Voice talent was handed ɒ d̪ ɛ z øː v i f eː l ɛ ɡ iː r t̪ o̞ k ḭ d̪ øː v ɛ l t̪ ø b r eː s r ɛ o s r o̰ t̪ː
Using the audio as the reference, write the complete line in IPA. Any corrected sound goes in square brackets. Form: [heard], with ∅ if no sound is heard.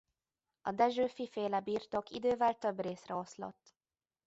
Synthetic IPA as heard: ɒ d̪ ɛ [ʒ] øː [f] i f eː l ɛ [b] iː r t̪ o̞ k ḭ d̪ øː v ɛ l t̪ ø b r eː s r ɛ o s [l] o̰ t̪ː